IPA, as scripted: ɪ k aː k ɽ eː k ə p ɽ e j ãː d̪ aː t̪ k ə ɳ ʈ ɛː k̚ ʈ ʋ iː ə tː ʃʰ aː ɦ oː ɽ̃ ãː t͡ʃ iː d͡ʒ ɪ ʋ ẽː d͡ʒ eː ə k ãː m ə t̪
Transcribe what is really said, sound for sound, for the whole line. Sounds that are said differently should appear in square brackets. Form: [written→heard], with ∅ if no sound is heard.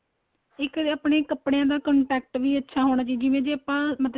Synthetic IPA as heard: ɪ k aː [k→p] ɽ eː k ə p ɽ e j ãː d̪ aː [t̪→∅] k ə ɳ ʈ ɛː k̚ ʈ ʋ iː ə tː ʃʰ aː ɦ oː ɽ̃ [ãː→aː] t͡ʃ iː d͡ʒ ɪ ʋ ẽː d͡ʒ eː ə [k→p] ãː m ə t̪